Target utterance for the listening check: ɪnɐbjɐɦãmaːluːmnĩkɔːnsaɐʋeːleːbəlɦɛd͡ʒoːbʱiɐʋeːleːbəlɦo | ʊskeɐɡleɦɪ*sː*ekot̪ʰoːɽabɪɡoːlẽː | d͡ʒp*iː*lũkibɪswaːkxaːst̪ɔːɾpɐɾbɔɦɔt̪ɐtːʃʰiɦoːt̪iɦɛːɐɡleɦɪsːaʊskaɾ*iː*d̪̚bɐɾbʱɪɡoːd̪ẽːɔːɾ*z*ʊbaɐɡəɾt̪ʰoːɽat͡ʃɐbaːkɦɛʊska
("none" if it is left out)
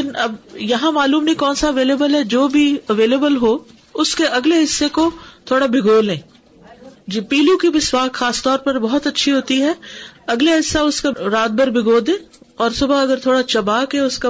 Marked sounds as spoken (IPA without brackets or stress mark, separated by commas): sː, iː, aː, s